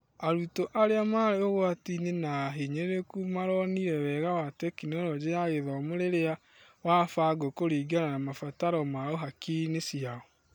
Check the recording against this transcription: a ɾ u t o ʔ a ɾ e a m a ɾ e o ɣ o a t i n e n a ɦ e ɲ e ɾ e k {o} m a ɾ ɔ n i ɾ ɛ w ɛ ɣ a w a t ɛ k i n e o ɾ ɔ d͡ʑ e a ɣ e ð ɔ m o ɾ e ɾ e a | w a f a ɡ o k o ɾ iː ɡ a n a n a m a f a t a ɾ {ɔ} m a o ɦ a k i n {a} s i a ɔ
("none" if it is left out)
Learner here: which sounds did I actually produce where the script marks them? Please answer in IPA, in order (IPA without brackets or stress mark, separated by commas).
u, ɔ, e